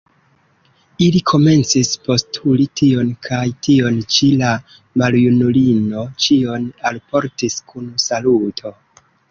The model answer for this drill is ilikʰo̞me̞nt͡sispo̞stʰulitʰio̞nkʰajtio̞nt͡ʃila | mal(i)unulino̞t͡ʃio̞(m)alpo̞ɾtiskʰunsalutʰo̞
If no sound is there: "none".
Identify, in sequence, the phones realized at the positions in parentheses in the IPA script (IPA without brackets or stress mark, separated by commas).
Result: j, n